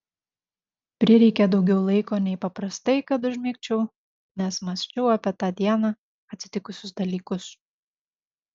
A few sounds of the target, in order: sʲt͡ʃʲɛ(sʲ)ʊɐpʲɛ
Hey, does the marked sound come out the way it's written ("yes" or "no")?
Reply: no